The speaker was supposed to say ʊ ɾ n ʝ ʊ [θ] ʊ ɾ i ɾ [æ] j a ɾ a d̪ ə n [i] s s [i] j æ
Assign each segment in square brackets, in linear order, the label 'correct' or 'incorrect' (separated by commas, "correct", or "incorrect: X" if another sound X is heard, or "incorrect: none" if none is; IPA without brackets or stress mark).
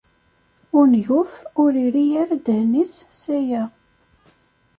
incorrect: f, incorrect: i, correct, incorrect: æ